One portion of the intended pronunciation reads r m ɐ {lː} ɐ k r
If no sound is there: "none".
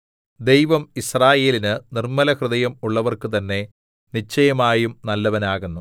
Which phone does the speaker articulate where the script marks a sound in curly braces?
l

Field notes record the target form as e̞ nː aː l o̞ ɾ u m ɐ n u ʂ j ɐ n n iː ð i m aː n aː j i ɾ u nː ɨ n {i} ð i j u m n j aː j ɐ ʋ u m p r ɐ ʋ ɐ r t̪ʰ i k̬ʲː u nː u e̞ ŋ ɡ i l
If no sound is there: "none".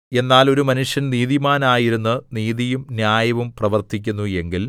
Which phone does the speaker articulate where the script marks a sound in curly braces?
iː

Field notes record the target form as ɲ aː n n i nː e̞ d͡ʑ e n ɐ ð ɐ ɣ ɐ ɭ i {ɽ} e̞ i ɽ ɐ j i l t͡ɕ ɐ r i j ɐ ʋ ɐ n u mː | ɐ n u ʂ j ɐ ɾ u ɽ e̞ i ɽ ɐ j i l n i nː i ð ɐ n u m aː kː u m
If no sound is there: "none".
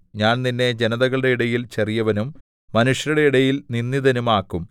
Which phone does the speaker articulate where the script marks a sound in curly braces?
ɽ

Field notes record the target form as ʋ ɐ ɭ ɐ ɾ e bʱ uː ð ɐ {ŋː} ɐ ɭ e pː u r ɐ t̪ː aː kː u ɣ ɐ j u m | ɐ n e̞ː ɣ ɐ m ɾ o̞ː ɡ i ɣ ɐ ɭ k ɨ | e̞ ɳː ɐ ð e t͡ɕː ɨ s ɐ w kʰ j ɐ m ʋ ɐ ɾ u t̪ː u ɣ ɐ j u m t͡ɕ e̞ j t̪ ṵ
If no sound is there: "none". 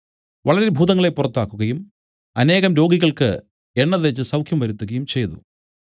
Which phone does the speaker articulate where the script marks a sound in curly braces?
ŋː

